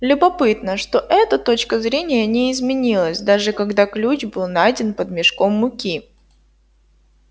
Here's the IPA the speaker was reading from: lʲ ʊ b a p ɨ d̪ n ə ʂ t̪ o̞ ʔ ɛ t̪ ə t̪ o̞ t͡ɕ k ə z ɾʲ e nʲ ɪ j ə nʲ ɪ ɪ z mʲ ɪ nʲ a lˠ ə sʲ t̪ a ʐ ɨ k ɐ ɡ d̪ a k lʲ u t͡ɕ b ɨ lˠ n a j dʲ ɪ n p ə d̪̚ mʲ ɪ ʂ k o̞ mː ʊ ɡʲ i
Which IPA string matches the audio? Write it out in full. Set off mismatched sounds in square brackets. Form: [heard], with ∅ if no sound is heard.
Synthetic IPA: lʲ ʊ b [ɐ] p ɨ [t̪] n ə ʂ t̪ o̞ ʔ ɛ t̪ ə t̪ o̞ t͡ɕ k ə z ɾʲ e nʲ ɪ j ə nʲ ɪ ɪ z mʲ ɪ nʲ [i] lˠ ə sʲ [d̪] a ʐ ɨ k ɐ ɡ d̪ a k lʲ u t͡ɕ b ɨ lˠ n a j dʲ ɪ n p ə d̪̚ mʲ ɪ ʂ k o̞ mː ʊ [kʲ] i